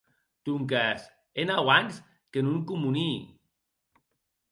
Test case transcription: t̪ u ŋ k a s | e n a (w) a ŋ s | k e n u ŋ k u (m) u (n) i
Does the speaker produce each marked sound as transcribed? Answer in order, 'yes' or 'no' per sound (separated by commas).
yes, yes, yes